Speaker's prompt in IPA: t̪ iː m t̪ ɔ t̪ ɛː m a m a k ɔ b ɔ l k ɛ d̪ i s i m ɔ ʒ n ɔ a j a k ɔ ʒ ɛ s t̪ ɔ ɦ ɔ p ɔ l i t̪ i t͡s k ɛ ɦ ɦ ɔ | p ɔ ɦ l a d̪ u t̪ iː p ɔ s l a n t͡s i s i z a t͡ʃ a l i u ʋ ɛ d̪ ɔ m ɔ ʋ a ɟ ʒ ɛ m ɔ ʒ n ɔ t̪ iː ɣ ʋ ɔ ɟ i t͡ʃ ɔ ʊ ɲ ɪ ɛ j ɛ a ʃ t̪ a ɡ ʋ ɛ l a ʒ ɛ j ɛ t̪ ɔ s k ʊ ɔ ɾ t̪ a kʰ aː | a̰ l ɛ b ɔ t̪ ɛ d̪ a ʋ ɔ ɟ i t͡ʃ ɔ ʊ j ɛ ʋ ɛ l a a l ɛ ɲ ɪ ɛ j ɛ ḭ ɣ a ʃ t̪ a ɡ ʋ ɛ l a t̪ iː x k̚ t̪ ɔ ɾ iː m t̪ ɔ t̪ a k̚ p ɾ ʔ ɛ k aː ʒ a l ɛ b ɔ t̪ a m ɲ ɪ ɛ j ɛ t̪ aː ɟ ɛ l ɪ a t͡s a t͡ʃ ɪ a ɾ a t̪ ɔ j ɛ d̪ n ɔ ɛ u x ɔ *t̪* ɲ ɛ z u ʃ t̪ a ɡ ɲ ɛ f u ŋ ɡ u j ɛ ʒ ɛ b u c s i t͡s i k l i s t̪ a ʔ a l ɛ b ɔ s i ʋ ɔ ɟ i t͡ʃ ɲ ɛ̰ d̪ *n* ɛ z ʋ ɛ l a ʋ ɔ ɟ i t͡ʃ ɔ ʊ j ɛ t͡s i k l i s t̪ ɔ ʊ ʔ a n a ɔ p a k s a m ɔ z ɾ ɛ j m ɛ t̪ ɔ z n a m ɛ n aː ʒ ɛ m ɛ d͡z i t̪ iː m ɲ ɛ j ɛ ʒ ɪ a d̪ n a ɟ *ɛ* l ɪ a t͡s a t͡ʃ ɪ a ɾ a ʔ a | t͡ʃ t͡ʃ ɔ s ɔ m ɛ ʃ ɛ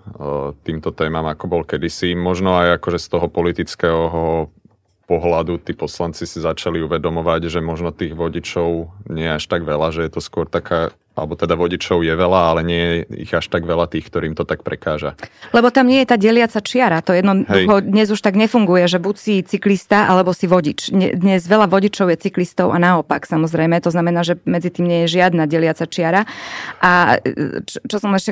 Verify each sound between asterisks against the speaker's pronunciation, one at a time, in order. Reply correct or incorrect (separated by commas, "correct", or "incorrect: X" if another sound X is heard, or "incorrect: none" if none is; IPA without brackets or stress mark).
incorrect: d̪, incorrect: ɲ, correct